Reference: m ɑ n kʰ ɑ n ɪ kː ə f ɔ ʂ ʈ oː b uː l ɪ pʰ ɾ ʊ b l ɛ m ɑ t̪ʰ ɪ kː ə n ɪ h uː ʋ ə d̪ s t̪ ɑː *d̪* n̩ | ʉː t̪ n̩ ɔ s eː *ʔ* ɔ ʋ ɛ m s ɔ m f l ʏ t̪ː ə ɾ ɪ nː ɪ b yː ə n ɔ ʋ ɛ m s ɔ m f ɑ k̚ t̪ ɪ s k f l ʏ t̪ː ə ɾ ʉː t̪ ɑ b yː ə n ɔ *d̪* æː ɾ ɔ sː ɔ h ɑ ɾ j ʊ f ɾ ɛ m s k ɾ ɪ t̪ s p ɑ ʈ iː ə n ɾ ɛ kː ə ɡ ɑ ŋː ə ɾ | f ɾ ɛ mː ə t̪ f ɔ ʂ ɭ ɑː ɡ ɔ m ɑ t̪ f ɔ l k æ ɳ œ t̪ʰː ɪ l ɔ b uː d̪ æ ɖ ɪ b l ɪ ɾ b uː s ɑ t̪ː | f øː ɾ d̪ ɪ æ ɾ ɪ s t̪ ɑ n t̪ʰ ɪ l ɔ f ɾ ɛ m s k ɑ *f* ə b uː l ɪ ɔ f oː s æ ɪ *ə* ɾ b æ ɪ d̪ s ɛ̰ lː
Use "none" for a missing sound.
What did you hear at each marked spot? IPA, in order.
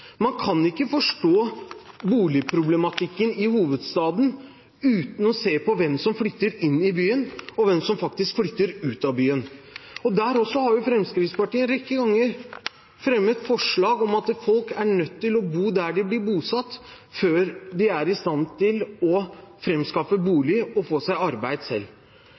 d̪, p, d̪, f, ɑ

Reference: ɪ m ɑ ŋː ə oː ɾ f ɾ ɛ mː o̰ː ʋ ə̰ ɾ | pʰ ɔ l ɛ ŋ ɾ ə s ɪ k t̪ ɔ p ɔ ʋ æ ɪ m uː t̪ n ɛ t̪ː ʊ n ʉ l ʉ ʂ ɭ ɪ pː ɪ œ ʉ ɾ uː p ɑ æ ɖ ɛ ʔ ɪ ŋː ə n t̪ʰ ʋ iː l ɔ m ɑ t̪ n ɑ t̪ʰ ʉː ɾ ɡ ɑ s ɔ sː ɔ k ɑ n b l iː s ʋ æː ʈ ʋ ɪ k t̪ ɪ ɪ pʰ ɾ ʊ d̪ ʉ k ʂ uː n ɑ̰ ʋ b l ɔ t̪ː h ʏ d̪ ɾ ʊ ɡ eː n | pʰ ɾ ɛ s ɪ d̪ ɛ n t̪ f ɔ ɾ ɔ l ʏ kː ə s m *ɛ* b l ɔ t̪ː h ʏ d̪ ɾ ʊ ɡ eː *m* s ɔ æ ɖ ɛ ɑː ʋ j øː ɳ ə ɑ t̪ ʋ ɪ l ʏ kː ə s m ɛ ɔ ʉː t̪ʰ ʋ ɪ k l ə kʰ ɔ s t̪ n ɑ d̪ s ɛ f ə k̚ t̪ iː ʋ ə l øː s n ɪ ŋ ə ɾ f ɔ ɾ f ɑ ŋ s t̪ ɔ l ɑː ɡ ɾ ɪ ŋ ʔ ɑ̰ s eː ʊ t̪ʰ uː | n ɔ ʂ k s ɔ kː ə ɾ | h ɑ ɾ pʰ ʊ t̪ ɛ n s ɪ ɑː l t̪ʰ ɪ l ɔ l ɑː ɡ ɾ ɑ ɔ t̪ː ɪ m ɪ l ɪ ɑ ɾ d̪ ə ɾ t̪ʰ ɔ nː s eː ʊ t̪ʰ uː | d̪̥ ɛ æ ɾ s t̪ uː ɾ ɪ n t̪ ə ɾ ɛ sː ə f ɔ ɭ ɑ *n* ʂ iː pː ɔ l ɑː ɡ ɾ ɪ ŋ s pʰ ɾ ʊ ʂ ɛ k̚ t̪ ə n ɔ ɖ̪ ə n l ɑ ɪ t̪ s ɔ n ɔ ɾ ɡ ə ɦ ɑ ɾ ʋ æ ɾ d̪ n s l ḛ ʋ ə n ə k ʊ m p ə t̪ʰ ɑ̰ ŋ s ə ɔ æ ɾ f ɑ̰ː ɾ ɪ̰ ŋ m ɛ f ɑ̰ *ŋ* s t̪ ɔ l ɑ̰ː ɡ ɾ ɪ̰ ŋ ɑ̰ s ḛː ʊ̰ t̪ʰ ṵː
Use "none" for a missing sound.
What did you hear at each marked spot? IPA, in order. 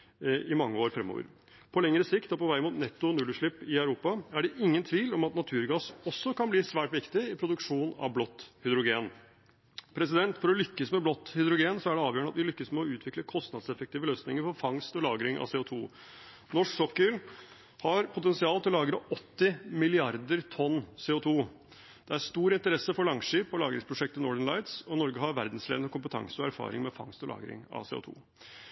ɛ, n, ŋ, ŋ

